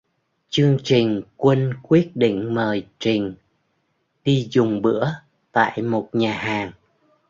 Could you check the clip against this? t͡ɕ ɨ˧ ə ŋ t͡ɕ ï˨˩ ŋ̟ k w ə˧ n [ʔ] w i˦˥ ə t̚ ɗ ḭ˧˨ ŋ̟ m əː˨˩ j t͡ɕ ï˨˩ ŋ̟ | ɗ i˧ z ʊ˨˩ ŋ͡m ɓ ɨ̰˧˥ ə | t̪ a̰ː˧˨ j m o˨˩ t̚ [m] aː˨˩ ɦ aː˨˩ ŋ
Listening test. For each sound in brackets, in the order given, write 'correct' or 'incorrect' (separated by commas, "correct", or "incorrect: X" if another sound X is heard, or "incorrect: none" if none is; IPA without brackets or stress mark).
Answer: incorrect: k, incorrect: ɲ